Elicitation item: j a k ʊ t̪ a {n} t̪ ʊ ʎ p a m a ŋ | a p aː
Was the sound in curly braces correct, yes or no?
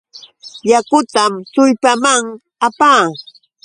no